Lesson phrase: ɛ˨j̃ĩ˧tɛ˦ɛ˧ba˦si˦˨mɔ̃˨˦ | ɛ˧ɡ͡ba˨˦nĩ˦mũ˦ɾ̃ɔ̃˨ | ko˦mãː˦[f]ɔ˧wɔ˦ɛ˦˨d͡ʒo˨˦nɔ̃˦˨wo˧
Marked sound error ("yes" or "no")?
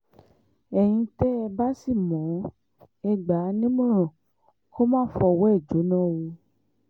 no